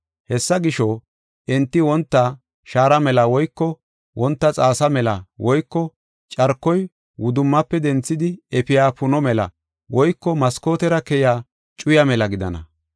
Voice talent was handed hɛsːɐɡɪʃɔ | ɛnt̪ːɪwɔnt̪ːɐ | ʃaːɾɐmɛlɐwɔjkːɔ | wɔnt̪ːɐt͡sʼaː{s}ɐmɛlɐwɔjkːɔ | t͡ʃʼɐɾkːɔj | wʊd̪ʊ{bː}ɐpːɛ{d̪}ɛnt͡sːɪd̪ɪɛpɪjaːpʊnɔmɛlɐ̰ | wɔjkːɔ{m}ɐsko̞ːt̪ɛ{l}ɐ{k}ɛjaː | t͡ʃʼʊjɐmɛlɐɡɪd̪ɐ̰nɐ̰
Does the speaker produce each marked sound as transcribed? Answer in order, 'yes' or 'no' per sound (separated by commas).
yes, no, yes, yes, no, yes